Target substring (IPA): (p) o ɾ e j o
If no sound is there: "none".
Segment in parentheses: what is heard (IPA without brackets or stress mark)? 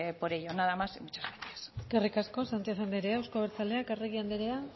p